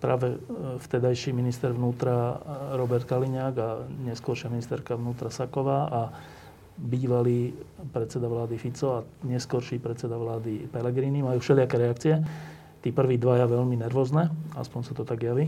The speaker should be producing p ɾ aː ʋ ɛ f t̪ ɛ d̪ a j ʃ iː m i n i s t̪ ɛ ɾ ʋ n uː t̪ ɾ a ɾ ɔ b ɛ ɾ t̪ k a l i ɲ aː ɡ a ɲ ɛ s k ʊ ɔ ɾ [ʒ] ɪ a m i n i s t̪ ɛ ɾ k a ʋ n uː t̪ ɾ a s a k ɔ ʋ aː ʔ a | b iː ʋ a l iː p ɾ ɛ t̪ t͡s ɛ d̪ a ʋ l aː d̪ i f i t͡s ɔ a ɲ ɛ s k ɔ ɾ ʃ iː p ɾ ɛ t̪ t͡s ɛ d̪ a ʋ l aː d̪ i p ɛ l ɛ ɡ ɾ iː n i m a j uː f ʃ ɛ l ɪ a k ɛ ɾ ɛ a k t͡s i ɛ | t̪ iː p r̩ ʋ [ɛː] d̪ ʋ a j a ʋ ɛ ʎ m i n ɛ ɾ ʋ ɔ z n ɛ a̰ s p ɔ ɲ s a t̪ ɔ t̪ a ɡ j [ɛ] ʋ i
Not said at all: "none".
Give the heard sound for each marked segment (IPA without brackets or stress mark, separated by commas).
ʃ, iː, a